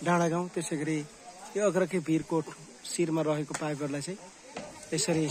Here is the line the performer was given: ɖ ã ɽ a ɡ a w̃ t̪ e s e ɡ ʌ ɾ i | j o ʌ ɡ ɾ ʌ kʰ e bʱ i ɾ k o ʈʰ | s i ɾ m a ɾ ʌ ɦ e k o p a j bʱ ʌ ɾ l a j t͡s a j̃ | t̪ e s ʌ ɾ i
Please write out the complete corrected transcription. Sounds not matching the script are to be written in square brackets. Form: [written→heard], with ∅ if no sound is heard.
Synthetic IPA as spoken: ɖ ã ɽ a ɡ a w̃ t̪ e s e ɡ ʌ ɾ i | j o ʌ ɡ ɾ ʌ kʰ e bʱ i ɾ k o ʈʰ | s i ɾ m a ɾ ʌ ɦ e k o p a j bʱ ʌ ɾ l a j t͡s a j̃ | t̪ e s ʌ ɾ i